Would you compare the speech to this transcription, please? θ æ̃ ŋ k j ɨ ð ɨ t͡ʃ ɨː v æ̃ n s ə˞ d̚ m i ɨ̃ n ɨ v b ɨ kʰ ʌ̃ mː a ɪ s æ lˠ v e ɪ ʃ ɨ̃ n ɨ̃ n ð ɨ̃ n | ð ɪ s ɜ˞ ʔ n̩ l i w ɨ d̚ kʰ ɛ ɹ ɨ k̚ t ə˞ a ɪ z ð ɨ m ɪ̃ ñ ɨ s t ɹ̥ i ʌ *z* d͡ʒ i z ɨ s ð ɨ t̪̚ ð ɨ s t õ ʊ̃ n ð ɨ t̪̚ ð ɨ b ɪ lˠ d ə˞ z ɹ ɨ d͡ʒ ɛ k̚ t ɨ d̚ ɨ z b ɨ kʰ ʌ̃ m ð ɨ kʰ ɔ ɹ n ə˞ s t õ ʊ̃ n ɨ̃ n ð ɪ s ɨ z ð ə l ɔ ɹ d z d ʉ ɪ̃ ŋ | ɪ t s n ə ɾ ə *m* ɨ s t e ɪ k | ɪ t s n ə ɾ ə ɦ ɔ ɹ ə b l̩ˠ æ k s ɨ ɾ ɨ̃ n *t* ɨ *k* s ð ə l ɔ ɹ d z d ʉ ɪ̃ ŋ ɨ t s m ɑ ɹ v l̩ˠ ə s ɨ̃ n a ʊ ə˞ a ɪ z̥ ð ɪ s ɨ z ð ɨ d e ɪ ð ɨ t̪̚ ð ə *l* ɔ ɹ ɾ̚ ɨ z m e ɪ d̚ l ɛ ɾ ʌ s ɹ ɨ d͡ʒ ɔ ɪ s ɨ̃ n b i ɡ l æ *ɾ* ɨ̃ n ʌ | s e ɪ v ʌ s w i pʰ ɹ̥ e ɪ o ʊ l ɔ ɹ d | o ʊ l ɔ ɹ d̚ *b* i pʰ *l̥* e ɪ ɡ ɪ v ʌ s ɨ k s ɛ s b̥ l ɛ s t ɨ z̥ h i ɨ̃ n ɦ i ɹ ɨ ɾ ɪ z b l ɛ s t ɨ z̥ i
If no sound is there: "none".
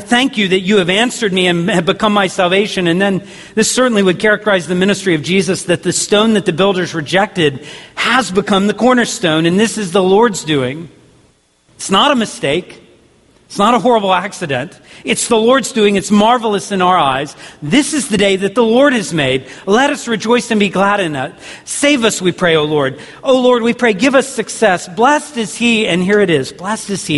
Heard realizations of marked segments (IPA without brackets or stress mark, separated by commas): v, m, t, t, l, ɾ, w, ɹ̥